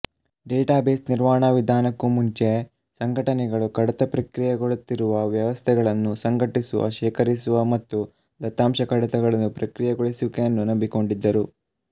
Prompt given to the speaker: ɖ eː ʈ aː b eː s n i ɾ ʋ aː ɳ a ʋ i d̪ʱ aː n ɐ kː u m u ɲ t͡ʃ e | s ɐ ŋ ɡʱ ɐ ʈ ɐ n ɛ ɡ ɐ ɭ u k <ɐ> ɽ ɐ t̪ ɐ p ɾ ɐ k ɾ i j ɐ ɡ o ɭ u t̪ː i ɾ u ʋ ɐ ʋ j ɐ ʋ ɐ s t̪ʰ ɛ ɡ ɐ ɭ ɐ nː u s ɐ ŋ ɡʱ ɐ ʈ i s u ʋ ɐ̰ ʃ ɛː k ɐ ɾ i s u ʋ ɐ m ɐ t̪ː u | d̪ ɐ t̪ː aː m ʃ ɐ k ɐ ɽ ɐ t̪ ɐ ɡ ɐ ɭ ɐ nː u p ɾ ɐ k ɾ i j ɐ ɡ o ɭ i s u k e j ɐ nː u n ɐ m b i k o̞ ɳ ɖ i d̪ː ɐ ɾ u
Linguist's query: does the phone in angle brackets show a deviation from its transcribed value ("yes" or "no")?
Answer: no